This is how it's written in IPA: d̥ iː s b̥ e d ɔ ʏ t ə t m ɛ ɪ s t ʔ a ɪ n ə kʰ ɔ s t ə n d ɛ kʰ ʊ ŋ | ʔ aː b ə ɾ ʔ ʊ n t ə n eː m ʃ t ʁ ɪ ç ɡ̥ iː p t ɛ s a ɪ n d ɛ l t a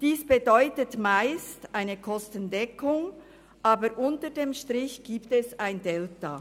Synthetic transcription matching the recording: d̥ iː s b̥ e d ɔ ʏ t ə t m a ɪ s t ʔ a ɪ n ə kʰ ɔ s t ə n d ɛ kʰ ʊ ŋ | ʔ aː b ə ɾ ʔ ʊ n t ə d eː m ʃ t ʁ ɪ ç ɡ̥ iː p t ɛ s a ɪ n d ɛ l t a